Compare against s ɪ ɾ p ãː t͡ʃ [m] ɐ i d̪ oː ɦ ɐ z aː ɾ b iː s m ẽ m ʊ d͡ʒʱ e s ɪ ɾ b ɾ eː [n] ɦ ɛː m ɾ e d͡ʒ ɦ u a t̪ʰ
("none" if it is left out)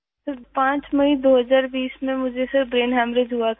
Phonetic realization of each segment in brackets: m, n

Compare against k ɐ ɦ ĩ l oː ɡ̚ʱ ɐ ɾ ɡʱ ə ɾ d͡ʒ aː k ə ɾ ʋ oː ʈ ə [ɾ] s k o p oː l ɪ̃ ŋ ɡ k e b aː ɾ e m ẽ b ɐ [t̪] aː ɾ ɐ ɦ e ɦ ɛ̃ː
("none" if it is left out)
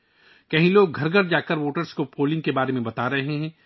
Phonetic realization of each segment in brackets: ɾ, t̪

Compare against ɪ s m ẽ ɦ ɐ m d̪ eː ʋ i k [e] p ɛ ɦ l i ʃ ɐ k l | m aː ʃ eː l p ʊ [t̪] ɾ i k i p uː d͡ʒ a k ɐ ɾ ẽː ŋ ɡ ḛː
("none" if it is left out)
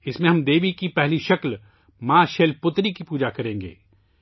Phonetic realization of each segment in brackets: i, t̪

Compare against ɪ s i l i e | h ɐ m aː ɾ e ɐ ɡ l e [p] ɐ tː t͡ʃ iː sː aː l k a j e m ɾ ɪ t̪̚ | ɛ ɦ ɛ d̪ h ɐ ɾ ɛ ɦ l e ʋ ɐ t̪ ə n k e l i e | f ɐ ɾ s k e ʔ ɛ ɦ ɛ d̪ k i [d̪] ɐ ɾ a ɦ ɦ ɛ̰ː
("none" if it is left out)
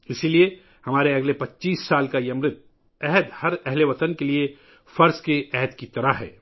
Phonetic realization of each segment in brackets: p, t̪

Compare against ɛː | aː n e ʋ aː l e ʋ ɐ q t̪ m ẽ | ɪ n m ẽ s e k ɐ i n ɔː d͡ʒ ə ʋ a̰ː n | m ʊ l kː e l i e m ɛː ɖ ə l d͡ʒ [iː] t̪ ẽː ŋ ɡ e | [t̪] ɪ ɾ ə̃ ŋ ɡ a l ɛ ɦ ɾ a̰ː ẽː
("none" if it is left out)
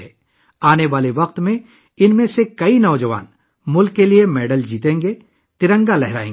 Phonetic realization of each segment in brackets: iː, t̪

